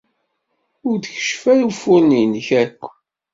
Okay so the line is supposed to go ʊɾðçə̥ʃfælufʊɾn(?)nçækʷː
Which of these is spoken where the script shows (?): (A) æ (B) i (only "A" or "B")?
B